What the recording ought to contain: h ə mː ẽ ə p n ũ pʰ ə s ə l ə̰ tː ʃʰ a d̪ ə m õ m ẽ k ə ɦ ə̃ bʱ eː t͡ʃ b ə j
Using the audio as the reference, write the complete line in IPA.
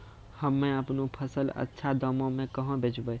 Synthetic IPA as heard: h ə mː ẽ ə p n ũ pʰ ə s ə l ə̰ tː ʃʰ a d̪ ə m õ m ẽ k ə ɦ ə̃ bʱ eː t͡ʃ b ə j